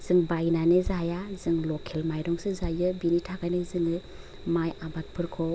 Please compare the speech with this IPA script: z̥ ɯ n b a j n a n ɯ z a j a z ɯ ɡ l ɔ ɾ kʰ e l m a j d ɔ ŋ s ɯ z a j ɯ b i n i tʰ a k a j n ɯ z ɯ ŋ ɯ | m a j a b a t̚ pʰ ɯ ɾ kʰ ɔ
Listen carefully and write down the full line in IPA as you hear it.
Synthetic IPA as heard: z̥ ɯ ŋ b a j n a n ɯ z a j a z ɯ ŋ l ɔ kʰ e l m a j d ɔ ŋ s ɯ z a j ɯ b i n i tʰ a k a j n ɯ z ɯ ŋ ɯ | m a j a b a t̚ pʰ ɯ ɾ kʰ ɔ